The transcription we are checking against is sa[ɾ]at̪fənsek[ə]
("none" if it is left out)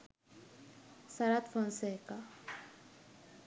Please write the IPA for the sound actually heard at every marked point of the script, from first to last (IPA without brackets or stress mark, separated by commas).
ɾ, a